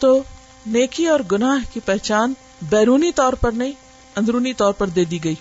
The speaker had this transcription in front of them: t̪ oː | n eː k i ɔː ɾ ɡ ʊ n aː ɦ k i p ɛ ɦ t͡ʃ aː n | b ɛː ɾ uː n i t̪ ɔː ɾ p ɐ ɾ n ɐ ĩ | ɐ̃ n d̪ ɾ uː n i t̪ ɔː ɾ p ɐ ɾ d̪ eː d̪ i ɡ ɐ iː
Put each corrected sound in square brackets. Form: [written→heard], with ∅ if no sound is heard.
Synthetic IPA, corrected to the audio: t̪ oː | n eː k i ɔː ɾ ɡ ʊ n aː ɦ k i p ɛ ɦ t͡ʃ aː n | b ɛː ɾ uː n i t̪ ɔː ɾ p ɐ ɾ n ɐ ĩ | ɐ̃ n d̪ ɾ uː n i t̪ ɔː ɾ p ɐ ɾ d̪ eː d̪ i ɡ ɐ iː